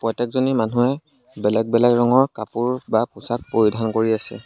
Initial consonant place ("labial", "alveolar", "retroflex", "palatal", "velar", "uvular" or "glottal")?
labial